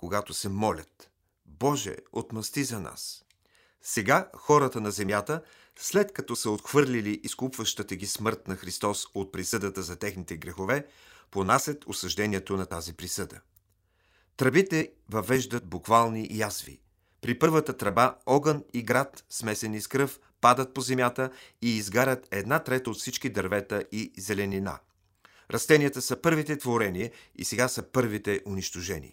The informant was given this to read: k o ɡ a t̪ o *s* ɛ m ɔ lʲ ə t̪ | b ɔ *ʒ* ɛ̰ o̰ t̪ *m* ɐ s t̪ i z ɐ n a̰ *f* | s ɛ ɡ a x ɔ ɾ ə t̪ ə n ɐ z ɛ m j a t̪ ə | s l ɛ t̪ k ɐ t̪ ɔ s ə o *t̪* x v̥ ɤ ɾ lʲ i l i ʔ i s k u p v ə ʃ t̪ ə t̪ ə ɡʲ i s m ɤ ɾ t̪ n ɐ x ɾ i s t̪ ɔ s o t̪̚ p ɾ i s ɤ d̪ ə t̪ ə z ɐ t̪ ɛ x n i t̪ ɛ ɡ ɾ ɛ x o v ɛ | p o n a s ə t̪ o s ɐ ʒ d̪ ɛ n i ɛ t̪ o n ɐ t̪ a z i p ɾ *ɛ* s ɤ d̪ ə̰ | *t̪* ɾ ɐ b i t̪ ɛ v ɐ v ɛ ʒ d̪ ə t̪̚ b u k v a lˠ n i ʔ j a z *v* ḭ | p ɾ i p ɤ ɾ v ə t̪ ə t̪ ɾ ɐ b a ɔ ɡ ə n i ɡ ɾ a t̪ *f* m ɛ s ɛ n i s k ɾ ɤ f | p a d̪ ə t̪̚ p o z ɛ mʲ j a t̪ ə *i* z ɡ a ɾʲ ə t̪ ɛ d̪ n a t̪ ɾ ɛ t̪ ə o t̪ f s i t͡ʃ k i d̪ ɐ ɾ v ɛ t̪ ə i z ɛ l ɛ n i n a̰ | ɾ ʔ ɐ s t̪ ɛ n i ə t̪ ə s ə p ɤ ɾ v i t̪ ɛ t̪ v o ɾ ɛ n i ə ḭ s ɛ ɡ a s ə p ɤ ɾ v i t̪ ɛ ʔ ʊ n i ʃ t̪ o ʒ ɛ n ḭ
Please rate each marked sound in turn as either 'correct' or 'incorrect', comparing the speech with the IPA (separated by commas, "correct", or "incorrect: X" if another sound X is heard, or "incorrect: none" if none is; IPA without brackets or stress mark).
correct, correct, correct, incorrect: s, correct, incorrect: i, correct, correct, incorrect: s, incorrect: iː